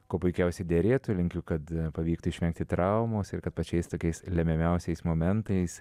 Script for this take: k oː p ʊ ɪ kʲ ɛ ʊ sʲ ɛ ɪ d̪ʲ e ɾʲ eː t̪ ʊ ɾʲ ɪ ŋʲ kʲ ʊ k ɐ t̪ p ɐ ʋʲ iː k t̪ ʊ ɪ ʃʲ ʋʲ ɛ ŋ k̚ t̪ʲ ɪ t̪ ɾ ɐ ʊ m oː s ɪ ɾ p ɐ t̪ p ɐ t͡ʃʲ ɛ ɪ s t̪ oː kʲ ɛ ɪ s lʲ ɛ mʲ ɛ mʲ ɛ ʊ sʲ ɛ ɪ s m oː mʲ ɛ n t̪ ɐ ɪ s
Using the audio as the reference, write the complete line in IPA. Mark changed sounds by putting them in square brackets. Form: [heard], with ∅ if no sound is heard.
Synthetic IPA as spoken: k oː p ʊ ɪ kʲ ɛ ʊ sʲ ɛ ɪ d̪ʲ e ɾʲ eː t̪ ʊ [lʲ] ɪ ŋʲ kʲ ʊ k ɐ t̪ p ɐ ʋʲ iː k t̪ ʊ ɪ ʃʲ ʋʲ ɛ ŋ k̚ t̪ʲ ɪ t̪ ɾ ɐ ʊ m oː s ɪ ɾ [k] ɐ t̪ p ɐ t͡ʃʲ ɛ ɪ s t̪ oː kʲ ɛ ɪ s lʲ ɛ mʲ ɛ mʲ ɛ ʊ sʲ ɛ ɪ s m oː mʲ ɛ n t̪ ɐ ɪ s